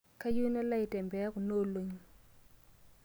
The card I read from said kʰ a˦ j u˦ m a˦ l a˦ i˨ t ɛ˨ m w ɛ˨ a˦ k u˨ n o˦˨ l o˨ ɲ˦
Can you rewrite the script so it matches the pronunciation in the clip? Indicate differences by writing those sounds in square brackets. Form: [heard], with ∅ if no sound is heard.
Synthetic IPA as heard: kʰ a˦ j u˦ [n] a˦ l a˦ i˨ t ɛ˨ m [b] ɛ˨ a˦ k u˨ n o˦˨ l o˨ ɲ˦